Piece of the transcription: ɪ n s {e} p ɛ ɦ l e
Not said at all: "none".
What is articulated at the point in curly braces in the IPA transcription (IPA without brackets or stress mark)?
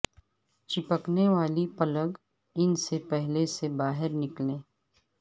e